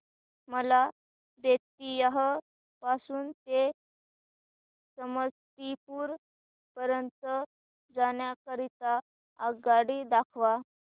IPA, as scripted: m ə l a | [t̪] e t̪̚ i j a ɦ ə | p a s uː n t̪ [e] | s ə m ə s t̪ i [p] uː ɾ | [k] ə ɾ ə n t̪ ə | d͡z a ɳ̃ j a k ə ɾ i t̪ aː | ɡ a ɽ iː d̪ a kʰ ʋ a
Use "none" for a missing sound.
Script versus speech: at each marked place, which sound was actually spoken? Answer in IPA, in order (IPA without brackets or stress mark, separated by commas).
d̪, e, p, p